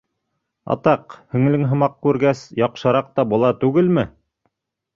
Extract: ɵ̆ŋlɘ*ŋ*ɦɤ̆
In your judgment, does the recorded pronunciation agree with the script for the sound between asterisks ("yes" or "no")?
yes